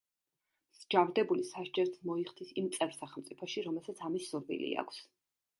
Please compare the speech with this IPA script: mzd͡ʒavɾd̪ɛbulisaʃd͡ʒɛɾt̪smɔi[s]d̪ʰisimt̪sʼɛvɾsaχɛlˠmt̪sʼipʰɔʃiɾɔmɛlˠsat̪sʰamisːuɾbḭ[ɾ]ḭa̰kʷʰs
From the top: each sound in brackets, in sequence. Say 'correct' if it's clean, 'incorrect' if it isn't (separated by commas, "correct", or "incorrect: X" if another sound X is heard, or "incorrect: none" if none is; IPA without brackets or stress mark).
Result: incorrect: χ, incorrect: l